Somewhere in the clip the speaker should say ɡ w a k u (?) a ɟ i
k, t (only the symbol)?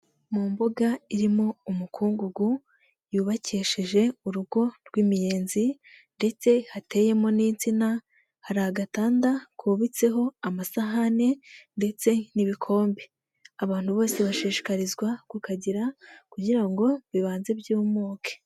k